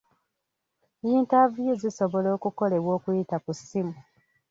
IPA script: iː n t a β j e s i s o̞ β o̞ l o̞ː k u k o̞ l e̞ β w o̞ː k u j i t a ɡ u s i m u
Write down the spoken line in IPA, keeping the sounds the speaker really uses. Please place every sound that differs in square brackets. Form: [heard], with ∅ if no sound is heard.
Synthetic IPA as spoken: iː n t a [v] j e [z] i s o̞ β o̞ l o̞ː k u k o̞ l e̞ β w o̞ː k u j i t a [k] u s i m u